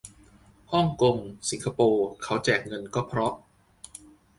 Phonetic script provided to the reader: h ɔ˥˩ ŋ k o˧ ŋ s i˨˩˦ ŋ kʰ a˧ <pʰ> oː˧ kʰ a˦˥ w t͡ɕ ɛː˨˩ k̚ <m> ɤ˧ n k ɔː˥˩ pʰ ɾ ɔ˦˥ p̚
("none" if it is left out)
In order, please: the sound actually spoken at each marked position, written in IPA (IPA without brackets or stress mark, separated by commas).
p, ŋ